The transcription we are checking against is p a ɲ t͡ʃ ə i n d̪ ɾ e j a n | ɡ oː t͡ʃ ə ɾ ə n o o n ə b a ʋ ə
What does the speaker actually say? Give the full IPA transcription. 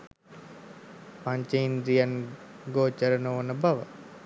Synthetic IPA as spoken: p a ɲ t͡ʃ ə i n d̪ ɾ i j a n | ɡ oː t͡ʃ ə ɾ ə n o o n ə b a ʋ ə